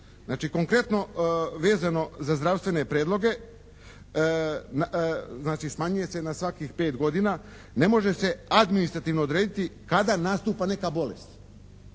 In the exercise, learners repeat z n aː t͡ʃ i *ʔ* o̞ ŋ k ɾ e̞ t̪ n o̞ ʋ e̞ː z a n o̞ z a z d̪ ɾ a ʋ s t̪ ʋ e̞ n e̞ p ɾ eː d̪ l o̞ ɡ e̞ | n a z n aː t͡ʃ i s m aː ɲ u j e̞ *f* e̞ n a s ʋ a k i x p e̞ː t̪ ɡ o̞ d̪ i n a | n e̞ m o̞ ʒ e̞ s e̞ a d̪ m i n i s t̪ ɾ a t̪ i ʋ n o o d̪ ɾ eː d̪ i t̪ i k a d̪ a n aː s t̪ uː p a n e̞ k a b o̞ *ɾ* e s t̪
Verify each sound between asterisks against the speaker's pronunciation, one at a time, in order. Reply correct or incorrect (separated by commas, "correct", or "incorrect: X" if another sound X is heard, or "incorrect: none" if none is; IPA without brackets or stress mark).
incorrect: k, incorrect: s, incorrect: l